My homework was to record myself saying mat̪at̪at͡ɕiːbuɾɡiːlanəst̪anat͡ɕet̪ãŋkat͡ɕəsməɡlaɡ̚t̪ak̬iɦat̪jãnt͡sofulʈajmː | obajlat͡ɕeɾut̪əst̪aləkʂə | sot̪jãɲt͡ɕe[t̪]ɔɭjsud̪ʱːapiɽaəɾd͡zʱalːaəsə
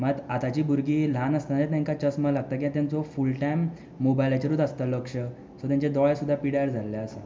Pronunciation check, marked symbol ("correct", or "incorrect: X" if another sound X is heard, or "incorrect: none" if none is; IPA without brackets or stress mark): incorrect: d̪